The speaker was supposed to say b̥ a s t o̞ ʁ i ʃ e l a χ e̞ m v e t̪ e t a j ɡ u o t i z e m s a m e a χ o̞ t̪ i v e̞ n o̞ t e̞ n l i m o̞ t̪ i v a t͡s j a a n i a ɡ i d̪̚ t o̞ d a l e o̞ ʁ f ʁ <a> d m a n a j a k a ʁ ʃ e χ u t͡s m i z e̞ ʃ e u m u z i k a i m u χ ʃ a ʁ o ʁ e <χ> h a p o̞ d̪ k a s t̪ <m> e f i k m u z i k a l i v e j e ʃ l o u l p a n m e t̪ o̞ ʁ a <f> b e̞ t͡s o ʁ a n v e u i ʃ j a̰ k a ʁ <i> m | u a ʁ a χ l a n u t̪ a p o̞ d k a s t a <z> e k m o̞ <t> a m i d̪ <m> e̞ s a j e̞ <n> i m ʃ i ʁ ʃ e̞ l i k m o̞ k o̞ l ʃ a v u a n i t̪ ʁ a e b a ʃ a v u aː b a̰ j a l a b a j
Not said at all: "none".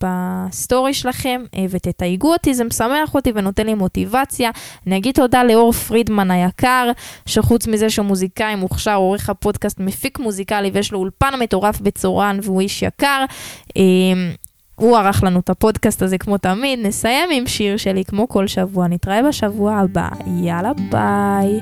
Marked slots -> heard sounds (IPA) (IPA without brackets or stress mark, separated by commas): i, χ, m, f, e, z, t, n, m